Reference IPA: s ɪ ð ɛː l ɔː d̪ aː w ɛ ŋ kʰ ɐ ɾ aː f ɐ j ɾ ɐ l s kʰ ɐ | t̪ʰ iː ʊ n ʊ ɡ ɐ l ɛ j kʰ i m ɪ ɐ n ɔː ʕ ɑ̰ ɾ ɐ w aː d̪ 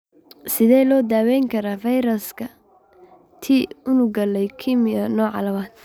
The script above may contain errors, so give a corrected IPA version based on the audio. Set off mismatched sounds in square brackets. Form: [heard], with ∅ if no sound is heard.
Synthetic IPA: s ɪ ð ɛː l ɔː d̪ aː w ɛ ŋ kʰ ɐ ɾ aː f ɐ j ɾ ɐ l s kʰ ɐ | t̪ʰ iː ʊ n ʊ ɡ ɐ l ɛ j kʰ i m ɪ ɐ n ɔː ʕ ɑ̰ [l] ɐ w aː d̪